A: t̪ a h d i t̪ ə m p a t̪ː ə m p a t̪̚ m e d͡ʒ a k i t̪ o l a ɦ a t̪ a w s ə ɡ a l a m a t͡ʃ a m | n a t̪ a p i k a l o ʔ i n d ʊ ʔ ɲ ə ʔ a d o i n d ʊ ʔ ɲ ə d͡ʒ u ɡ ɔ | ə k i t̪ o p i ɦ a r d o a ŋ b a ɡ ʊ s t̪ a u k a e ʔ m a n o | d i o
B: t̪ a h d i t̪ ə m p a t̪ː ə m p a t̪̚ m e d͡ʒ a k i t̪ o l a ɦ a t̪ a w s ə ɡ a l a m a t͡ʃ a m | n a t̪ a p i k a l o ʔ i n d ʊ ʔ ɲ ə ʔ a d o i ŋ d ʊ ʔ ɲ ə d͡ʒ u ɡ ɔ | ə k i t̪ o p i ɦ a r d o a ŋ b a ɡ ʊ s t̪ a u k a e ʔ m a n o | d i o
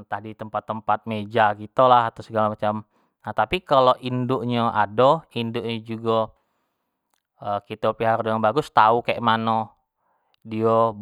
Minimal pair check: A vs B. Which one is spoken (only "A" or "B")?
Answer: A